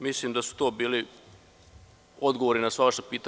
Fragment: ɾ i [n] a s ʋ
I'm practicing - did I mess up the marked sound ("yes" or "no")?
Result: no